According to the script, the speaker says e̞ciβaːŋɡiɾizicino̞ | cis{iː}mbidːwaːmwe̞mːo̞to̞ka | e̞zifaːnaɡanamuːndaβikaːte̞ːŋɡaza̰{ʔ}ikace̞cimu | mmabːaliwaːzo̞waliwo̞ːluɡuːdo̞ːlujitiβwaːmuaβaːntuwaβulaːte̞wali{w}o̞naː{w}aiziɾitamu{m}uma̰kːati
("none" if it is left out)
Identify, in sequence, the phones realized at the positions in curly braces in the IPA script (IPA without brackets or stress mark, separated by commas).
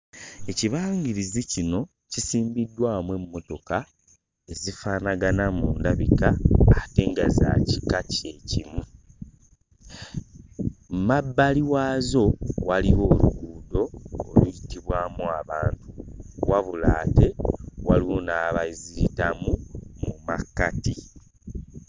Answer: iː, c, w, β, m